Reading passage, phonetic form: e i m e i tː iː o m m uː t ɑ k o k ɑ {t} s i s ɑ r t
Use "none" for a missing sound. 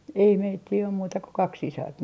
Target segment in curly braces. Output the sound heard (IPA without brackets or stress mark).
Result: k